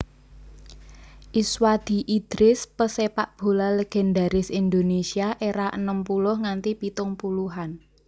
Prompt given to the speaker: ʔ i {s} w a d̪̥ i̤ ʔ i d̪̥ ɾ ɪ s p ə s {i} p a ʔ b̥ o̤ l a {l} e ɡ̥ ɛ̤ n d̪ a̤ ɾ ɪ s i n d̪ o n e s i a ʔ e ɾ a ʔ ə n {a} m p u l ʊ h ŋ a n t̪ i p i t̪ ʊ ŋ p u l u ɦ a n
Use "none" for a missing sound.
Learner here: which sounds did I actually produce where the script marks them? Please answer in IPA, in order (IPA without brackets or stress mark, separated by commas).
s, e, l, ə